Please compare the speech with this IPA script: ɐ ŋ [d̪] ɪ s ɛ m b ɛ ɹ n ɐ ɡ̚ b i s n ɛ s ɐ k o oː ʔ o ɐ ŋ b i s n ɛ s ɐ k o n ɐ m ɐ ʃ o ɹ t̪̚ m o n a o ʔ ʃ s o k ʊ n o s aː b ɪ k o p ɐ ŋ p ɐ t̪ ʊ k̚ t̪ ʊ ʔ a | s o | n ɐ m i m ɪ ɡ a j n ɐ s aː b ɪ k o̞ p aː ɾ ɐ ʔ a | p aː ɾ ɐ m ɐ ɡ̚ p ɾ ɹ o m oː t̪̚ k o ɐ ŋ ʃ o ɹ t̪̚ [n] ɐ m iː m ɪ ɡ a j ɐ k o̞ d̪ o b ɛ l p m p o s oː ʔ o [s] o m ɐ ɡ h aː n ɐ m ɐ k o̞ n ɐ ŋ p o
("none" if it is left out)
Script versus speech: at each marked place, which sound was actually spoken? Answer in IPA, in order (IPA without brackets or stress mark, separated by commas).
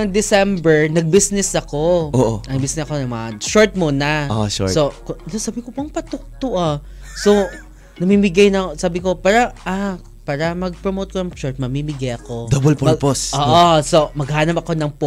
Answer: d̪, m, s